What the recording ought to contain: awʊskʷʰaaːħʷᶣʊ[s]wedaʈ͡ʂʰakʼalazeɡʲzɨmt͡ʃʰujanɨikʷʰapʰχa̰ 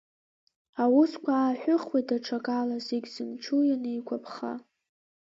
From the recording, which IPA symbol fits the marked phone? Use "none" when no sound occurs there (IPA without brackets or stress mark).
χ